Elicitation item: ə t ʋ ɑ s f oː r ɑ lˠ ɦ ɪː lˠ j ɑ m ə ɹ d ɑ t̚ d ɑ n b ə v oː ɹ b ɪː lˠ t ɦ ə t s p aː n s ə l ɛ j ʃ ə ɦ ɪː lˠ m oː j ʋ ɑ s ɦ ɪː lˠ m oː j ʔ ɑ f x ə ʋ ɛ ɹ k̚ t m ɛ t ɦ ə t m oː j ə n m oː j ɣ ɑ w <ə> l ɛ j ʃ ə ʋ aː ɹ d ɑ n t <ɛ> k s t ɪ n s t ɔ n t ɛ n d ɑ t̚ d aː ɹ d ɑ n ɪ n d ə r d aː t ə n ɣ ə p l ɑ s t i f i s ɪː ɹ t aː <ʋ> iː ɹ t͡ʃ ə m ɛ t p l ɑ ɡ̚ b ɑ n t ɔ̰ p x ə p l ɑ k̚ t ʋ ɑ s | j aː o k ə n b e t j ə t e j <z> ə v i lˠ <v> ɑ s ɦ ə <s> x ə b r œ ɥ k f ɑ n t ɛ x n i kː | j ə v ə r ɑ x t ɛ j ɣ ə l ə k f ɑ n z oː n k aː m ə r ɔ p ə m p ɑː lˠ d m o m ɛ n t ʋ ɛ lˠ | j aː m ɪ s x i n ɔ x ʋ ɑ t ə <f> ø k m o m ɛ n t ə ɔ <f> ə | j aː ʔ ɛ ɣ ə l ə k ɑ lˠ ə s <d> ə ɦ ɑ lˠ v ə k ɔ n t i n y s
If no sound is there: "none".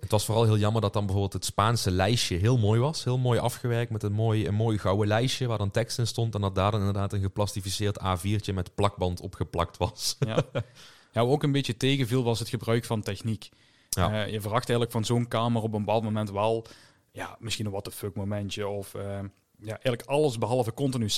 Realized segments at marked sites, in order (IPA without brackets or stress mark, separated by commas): ə, ɛ, v, ɣ, ʋ, t, f, f, b